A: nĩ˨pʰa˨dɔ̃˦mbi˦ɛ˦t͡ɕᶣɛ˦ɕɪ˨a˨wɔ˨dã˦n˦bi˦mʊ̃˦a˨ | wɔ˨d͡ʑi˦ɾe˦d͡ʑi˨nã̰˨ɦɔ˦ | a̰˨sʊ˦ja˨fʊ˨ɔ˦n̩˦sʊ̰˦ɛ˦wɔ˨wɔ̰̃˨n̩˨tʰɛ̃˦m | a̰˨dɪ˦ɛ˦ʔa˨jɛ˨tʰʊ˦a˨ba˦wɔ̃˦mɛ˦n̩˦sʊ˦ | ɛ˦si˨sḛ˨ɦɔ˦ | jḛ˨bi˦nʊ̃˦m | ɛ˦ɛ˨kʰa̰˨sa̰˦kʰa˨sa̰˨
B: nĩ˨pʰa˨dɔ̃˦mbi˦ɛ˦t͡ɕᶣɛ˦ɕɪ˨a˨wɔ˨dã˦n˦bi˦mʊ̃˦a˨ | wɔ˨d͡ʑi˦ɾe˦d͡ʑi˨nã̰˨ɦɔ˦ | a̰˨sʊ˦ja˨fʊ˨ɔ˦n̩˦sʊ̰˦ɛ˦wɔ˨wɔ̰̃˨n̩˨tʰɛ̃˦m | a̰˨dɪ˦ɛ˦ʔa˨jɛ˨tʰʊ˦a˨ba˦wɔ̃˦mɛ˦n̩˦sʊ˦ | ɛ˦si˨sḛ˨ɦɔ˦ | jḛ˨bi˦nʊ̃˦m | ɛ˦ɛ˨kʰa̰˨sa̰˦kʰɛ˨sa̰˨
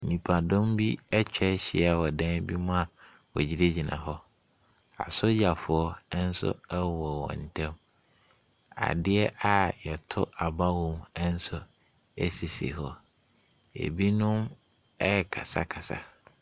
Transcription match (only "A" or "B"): A